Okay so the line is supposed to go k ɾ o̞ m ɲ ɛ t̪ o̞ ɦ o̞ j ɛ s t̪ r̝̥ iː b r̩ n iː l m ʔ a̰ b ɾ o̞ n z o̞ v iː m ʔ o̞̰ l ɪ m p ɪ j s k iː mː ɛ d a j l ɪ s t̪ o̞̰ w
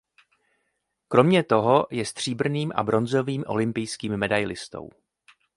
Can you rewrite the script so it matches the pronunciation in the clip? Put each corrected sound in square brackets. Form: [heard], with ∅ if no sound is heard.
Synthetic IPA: k ɾ o̞ m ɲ ɛ t̪ o̞ ɦ o̞ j ɛ s t̪ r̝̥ iː b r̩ n iː [∅] m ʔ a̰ b ɾ o̞ n z o̞ v iː m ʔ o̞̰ l ɪ m p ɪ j s k iː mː ɛ d a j l ɪ s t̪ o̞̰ w

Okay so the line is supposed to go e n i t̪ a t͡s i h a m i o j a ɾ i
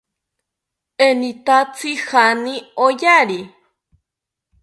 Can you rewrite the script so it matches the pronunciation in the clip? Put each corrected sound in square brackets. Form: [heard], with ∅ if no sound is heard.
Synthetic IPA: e n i t̪ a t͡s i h a [n] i o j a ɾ i

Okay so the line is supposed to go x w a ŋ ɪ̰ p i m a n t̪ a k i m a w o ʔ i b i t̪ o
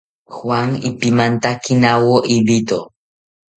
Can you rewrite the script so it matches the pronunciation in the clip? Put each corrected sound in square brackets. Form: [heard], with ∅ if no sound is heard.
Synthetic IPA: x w a ŋ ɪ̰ p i m a n t̪ a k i [n] a w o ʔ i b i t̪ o

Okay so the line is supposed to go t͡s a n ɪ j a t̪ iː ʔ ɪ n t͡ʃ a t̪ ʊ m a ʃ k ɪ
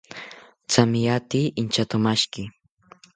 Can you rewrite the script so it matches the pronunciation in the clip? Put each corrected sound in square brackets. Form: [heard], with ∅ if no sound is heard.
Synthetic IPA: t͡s a [m] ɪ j a t̪ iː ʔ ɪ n t͡ʃ a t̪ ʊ m a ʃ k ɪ

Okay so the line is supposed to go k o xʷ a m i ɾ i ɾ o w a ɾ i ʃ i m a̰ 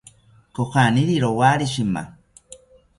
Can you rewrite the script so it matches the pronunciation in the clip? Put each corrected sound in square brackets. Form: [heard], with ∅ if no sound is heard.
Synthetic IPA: k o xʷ a [n] i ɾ i ɾ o w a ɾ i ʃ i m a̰

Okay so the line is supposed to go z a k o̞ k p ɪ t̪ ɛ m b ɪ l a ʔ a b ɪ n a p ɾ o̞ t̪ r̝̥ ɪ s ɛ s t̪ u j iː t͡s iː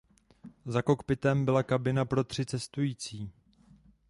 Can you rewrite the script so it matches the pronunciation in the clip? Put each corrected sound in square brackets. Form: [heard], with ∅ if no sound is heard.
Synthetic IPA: z a k o̞ k p ɪ t̪ ɛ m b ɪ l a [k] a b ɪ n a p ɾ o̞ t̪ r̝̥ ɪ [t͡s] ɛ s t̪ u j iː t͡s iː

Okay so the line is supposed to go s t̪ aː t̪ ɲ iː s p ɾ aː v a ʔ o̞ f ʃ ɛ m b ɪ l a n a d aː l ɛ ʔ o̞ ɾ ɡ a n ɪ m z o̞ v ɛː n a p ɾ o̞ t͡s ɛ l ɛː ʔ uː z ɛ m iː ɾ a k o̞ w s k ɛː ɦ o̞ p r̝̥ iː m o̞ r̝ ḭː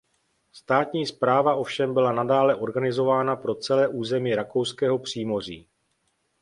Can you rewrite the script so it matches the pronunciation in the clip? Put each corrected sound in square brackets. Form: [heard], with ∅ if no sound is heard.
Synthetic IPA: s t̪ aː t̪ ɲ iː s p ɾ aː v a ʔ o̞ f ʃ ɛ m b ɪ l a n a d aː l ɛ ʔ o̞ ɾ ɡ a n ɪ [∅] z o̞ v [aː] n a p ɾ o̞ t͡s ɛ l ɛː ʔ uː z ɛ m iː ɾ a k o̞ w s k ɛː ɦ o̞ p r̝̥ iː m o̞ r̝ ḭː

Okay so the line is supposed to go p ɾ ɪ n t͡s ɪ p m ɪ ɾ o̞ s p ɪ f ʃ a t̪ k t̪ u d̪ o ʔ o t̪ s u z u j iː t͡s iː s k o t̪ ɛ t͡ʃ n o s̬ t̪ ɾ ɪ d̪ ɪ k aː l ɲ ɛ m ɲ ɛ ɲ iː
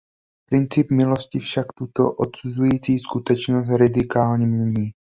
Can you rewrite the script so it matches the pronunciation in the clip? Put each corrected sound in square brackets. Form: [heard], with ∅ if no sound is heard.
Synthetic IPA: p ɾ ɪ n t͡s ɪ p m ɪ [l] o̞ s [c] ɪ f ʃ a [∅] k t̪ u [t̪] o ʔ o t̪ s u z u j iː t͡s iː s k [u] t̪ ɛ t͡ʃ n o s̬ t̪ ɾ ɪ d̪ ɪ k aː l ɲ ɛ m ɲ ɛ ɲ iː

